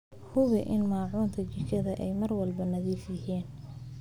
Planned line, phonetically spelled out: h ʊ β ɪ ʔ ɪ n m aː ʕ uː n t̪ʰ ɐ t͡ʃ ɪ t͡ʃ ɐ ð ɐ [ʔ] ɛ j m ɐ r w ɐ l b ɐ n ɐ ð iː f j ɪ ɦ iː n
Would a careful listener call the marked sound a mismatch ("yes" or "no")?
no